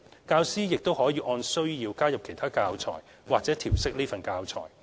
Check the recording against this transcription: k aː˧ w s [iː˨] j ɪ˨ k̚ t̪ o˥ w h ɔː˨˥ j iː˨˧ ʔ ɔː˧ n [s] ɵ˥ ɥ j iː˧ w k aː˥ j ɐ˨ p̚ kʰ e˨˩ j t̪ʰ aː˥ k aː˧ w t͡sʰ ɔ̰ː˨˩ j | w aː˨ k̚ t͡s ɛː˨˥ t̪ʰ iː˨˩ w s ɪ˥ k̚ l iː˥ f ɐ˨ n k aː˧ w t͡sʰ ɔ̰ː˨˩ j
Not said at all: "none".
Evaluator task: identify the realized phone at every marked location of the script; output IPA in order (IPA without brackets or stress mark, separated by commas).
iː˥, s